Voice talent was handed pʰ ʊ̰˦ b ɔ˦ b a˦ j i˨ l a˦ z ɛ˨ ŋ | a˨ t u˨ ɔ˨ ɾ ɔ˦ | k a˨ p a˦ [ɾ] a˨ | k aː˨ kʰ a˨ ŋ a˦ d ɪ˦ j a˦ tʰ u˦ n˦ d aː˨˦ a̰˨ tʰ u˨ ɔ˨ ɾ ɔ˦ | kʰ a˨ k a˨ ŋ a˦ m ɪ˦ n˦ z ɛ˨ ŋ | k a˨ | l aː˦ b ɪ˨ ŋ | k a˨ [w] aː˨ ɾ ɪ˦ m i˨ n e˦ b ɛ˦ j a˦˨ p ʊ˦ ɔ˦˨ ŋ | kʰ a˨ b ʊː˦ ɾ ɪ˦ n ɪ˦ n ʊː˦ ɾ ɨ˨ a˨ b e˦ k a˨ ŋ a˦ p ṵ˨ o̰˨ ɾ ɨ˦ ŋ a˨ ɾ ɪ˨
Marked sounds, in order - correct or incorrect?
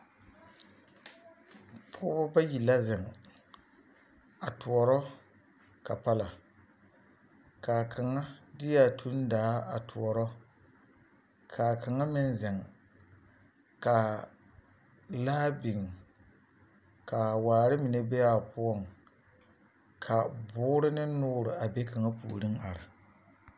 incorrect, correct

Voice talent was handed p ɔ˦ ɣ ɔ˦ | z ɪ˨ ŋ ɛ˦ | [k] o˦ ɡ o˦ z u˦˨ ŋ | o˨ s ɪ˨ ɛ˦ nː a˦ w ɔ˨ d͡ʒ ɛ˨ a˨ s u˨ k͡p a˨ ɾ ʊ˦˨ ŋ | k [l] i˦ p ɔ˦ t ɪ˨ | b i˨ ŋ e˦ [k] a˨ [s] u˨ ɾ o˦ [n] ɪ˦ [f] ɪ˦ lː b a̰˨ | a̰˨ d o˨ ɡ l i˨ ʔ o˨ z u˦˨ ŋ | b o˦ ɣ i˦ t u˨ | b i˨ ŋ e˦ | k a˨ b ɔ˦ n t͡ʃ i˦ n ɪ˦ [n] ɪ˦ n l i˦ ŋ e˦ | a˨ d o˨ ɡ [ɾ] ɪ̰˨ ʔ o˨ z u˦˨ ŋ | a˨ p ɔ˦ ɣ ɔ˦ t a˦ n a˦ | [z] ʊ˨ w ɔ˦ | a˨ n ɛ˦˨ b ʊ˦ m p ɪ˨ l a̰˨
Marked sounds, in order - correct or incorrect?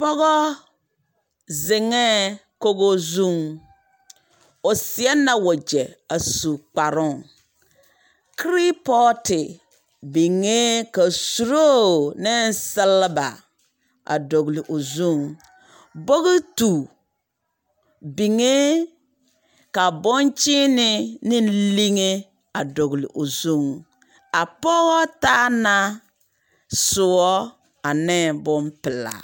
correct, incorrect, correct, correct, correct, incorrect, correct, incorrect, incorrect

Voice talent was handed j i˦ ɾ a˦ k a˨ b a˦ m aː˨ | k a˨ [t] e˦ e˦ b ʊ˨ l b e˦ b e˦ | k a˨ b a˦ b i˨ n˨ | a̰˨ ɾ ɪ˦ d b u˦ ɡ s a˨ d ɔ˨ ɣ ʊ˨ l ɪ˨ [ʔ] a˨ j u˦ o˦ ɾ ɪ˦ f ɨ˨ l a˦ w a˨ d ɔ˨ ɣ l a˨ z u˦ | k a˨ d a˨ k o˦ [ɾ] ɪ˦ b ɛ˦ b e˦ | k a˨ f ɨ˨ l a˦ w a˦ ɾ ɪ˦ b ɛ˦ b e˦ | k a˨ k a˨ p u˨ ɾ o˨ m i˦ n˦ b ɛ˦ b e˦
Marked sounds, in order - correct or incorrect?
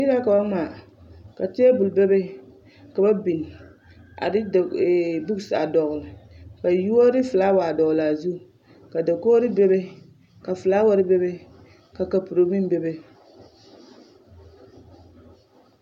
correct, incorrect, correct

